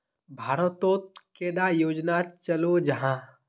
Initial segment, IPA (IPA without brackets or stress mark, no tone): bʱ